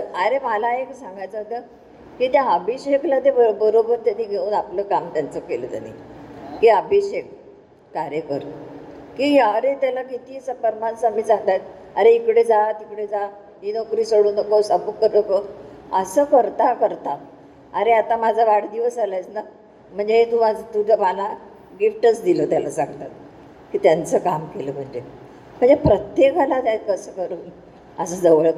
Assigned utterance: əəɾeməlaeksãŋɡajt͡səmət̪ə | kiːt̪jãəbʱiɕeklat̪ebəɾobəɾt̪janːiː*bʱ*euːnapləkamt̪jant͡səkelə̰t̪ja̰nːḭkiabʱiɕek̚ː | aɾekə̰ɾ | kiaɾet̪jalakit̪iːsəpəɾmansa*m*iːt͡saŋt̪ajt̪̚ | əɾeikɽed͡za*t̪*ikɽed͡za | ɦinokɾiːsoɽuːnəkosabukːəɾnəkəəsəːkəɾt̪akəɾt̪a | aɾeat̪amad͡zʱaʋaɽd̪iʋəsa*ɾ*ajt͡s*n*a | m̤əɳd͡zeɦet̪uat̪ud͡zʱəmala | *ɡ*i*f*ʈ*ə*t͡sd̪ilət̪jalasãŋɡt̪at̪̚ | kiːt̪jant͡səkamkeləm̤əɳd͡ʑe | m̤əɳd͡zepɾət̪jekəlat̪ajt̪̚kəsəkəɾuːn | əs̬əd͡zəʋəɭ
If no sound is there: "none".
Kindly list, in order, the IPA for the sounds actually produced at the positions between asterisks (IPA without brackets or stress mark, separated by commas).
ɡʱ, m, t̪, l, n, ɡ, f, ə